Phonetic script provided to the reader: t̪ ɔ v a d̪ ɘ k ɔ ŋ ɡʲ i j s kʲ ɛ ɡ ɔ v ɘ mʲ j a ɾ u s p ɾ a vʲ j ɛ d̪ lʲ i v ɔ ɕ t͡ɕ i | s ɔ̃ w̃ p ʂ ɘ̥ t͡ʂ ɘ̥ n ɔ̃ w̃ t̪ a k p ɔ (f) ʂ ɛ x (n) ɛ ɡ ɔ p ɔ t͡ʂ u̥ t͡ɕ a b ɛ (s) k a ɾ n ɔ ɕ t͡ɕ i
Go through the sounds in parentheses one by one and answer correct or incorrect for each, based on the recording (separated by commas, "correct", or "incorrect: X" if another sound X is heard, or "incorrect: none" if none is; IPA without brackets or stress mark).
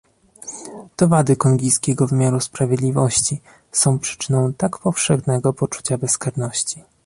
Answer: correct, correct, correct